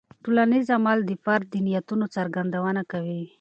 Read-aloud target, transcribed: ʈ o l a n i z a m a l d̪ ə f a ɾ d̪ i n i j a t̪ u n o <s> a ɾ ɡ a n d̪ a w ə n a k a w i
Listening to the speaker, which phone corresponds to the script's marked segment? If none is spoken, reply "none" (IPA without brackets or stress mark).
t͡s